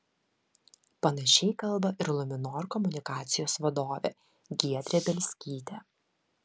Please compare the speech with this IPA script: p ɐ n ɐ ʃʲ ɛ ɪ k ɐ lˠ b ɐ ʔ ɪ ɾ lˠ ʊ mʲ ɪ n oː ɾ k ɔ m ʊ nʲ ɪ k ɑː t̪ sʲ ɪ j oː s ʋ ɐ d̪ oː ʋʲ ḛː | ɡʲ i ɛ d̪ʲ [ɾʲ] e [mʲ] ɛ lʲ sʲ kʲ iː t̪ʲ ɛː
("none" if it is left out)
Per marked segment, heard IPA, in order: ɾʲ, bʲ

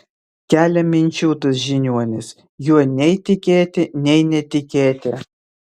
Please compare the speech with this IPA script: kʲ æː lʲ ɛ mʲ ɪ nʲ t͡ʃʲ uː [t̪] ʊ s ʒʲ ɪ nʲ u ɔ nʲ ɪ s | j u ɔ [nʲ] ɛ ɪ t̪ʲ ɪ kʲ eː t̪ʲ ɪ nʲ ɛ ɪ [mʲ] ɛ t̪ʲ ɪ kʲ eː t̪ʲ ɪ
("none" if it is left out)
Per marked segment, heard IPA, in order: t̪, nʲ, nʲ

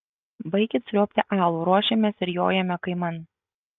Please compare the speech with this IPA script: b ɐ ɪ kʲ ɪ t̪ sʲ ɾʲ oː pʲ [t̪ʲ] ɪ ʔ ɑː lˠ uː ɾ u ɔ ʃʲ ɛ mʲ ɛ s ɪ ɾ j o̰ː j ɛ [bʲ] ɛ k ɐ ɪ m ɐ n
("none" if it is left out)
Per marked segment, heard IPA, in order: t̪ʲ, mʲ

